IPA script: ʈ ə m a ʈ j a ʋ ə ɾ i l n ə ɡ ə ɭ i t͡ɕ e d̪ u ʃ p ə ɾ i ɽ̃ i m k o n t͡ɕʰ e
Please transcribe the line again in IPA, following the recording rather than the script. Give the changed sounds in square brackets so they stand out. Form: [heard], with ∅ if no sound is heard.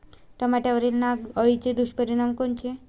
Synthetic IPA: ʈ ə m a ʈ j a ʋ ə ɾ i l n [a] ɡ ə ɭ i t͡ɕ e d̪ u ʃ p ə ɾ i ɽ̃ [a] m k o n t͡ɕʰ e